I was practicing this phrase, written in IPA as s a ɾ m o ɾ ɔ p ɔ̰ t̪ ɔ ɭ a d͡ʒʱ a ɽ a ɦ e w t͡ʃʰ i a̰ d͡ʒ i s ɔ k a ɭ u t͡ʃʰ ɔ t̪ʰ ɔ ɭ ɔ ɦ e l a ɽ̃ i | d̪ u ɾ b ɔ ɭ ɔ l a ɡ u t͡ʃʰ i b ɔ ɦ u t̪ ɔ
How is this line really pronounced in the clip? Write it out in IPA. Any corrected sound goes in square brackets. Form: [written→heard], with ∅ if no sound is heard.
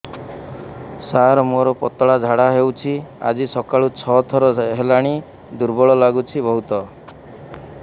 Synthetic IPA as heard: s a ɾ m o ɾ ɔ p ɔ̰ t̪ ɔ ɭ a d͡ʒʱ a ɽ a ɦ e w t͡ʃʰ i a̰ d͡ʒ i s ɔ k a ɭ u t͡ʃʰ ɔ t̪ʰ ɔ [ɭ→ɾ] ɔ ɦ e l a ɽ̃ i | d̪ u ɾ b ɔ ɭ ɔ l a ɡ u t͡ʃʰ i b ɔ ɦ u t̪ ɔ